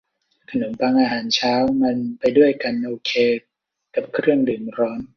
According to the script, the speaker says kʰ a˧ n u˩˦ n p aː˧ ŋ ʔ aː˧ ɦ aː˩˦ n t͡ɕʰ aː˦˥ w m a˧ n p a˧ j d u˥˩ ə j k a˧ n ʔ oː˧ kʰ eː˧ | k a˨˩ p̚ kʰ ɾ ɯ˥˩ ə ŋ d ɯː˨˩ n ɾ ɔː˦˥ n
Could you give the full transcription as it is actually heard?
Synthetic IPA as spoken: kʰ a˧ n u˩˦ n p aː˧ ŋ ʔ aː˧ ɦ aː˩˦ n t͡ɕʰ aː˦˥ w m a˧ n p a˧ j d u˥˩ ə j k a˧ n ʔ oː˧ kʰ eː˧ | k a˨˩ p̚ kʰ ɾ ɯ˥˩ ə ŋ d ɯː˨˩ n ɾ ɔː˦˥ n